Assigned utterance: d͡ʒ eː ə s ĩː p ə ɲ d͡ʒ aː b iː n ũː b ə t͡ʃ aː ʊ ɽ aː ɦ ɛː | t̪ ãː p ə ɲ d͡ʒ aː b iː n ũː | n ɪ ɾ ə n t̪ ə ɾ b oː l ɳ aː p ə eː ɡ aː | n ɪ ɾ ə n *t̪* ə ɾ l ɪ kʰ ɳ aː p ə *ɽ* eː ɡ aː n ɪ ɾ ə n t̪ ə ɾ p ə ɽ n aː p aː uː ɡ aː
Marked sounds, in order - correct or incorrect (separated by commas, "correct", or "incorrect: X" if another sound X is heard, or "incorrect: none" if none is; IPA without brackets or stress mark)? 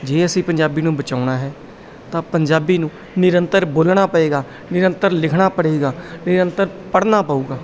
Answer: correct, correct